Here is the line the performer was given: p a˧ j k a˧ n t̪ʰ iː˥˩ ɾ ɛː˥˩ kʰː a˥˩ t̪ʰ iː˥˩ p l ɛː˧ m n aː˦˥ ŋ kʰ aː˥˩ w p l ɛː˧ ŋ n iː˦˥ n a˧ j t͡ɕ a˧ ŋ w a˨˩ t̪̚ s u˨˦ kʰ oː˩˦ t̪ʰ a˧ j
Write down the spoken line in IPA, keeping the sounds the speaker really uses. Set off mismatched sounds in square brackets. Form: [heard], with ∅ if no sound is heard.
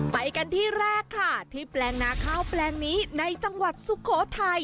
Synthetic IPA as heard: p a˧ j k a˧ n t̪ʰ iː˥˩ ɾ ɛː˥˩ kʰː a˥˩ t̪ʰ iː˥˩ p l ɛː˧ [ŋ] n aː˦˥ [∅] kʰ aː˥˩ w p l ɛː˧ ŋ n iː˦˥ n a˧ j t͡ɕ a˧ ŋ w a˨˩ t̪̚ s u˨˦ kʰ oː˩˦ t̪ʰ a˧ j